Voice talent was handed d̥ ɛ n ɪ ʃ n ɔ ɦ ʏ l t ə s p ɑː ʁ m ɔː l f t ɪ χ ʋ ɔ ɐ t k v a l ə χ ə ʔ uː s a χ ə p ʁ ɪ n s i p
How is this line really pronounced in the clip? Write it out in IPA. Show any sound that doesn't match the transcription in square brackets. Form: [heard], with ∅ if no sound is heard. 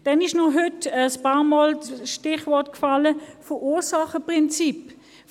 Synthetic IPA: d̥ ɛ n ɪ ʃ n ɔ ɦ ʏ [∅] t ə s p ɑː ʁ m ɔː l [ʃ] t ɪ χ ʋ ɔ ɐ t k [f] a l ə [f] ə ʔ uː s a χ ə p ʁ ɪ n [t͡s] i p